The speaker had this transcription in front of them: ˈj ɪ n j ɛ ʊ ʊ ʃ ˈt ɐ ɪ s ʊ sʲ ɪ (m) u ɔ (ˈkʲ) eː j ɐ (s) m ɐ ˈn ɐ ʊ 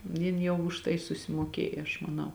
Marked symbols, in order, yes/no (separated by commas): yes, yes, no